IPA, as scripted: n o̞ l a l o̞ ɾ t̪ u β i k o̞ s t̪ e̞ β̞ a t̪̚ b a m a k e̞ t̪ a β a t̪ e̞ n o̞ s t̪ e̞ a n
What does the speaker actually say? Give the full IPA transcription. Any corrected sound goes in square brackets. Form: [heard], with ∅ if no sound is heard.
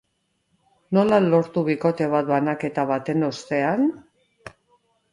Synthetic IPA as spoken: n o̞ l a l o̞ ɾ t̪ u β i k o̞ [∅] t̪ e̞ β̞ a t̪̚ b a [n] a k e̞ t̪ a β a t̪ e̞ n o̞ s t̪ e̞ a n